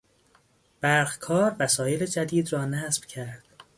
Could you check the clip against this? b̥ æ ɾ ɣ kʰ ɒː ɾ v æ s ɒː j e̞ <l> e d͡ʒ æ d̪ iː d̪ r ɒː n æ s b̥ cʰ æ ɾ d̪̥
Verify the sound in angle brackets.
correct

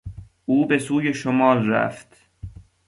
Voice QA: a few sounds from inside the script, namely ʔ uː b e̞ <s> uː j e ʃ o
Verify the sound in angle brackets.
correct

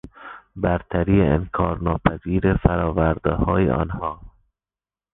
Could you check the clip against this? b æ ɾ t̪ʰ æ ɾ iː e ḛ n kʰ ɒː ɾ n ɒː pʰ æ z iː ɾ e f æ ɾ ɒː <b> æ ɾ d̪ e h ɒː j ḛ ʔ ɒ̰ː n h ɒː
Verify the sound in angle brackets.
incorrect: v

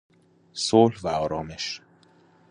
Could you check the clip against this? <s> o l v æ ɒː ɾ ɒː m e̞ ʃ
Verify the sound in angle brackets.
correct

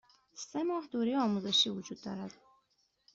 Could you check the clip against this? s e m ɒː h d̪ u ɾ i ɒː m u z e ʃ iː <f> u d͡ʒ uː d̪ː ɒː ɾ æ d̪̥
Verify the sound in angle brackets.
incorrect: v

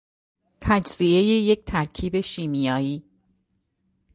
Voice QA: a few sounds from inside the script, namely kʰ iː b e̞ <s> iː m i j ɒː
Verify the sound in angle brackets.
incorrect: ʃ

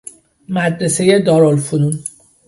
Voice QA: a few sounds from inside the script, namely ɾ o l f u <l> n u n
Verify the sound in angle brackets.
incorrect: none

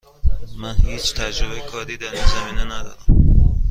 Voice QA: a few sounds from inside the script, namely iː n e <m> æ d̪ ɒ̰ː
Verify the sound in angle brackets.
incorrect: n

